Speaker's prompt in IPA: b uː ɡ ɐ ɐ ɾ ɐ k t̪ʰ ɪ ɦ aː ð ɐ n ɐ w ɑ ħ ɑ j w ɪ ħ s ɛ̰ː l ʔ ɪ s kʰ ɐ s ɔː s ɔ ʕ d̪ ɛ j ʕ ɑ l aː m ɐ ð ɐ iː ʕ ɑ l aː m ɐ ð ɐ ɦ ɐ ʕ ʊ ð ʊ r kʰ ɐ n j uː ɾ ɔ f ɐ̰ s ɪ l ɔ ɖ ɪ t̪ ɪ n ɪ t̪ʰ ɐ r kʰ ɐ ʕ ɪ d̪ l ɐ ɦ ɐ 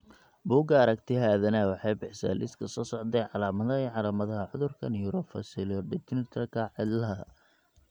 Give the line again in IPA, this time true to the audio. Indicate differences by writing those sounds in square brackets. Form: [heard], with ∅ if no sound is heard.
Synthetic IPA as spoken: b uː ɡ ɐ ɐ ɾ ɐ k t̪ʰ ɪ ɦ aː ð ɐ n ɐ w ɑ ħ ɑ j [b] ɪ ħ s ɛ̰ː l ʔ ɪ s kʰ ɐ s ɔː s ɔ ʕ d̪ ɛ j ʕ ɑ l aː m ɐ ð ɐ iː ʕ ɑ l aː m ɐ ð ɐ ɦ ɐ ʕ ʊ ð ʊ r kʰ ɐ n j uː ɾ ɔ f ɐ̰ s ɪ l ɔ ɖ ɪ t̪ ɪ n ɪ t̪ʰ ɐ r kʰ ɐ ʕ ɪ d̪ l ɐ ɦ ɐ